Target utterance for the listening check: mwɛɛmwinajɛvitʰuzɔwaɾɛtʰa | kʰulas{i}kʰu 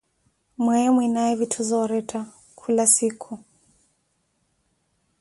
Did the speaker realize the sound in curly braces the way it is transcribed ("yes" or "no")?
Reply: yes